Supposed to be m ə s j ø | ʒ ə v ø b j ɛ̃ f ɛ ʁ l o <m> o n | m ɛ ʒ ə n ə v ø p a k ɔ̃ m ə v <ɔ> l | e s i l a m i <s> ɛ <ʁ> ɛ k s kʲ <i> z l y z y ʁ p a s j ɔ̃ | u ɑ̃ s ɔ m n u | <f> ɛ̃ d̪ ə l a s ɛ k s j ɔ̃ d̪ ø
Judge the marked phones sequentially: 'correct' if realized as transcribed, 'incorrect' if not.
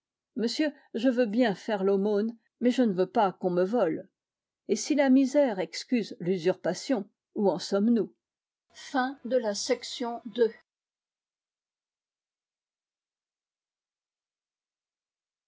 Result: correct, correct, incorrect, correct, incorrect, correct

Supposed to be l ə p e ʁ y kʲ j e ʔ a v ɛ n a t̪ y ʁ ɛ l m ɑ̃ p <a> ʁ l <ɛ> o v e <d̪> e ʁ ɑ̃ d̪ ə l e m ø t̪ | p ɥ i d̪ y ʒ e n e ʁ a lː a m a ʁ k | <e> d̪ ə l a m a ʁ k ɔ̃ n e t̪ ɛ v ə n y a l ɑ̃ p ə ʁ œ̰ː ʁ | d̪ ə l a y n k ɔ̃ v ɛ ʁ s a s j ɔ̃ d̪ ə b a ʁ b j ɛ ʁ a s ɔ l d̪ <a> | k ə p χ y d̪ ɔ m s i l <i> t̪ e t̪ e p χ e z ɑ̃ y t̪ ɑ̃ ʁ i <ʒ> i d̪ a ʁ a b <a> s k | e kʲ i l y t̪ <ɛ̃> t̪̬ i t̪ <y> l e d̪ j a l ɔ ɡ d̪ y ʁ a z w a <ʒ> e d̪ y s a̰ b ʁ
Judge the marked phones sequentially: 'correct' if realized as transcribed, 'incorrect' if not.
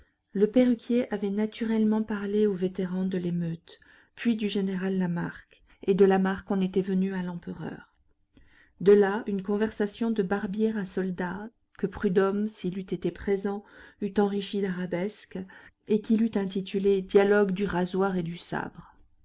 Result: correct, incorrect, incorrect, correct, correct, incorrect, incorrect, incorrect, correct, correct, incorrect

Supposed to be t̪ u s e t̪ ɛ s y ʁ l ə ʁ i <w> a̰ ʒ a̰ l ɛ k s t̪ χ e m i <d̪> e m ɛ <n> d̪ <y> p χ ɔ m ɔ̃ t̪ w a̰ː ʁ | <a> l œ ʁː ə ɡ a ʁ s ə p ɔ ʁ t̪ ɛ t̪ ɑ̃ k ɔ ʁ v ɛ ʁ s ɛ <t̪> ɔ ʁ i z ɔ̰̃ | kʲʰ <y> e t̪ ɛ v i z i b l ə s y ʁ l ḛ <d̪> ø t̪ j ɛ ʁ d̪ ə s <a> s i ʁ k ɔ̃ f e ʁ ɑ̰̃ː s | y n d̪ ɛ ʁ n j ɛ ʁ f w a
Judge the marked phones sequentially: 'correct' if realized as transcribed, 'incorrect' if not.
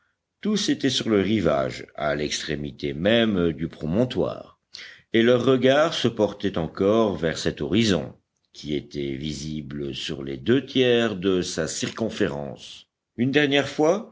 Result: incorrect, incorrect, incorrect, correct, incorrect, correct, incorrect, correct, correct

